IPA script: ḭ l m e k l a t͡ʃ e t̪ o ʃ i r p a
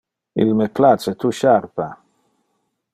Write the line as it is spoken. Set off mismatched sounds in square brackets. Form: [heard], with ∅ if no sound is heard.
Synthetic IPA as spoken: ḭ l m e [p] l a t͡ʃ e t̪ [u] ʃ [a] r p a